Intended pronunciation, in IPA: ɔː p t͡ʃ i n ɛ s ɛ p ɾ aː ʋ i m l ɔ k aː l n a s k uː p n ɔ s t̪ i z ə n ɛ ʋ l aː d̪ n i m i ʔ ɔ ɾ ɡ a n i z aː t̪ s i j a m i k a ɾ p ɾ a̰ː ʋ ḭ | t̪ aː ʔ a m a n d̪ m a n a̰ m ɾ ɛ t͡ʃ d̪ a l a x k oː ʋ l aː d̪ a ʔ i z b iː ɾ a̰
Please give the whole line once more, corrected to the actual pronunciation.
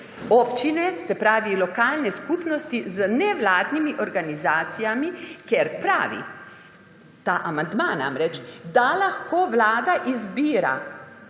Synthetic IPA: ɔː p t͡ʃ i n ɛ s ɛ p ɾ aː ʋ i l ɔ k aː l n ɛ s k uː p n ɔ s t̪ i z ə n ɛ ʋ l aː d̪ n i m i ʔ ɔ ɾ ɡ a n i z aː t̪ s i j a m i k ɛ ɾ p ɾ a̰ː ʋ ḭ | t̪ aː ʔ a m a n d̪ m a n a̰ m ɾ ɛ t͡ʃ d̪ a l a x k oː ʋ l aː d̪ a ʔ i z b iː ɾ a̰